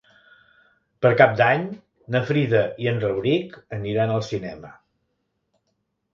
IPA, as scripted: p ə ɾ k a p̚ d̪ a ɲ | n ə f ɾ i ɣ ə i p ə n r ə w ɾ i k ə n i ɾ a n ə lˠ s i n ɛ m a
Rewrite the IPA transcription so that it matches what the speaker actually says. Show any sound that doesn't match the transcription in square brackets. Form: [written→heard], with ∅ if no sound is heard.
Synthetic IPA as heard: p ə ɾ k a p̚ d̪ a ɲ | n ə f ɾ i [ɣ→ð] ə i [p→∅] ə n r ə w ɾ i k ə n i ɾ a n ə lˠ s i n ɛ m [a→ə]